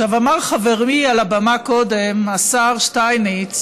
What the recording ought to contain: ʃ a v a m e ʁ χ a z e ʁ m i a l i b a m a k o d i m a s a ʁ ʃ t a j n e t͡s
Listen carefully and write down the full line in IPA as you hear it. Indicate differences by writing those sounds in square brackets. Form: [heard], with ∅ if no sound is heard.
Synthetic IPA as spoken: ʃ a v a m [a] ʁ χ a [v] e ʁ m i a l [a] b a m a k o d [e] m a s a ʁ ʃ t a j n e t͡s